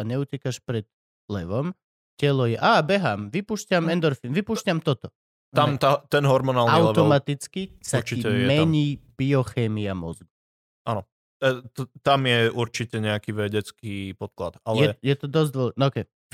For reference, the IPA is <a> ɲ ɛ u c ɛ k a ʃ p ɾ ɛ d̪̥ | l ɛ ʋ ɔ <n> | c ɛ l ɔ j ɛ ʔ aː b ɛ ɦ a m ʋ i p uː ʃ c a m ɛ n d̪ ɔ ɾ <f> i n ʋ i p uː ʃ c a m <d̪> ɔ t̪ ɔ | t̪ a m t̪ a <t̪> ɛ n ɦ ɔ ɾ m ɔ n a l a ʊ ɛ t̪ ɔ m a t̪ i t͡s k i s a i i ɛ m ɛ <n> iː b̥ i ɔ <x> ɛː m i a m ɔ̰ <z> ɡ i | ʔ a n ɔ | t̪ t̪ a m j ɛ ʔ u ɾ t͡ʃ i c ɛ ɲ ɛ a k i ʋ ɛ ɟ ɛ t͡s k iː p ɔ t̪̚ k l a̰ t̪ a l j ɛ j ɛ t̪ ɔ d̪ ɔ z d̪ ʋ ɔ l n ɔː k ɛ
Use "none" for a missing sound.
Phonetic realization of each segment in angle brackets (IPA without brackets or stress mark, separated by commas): a, m, f, t̪, t̪, ɲ, x, z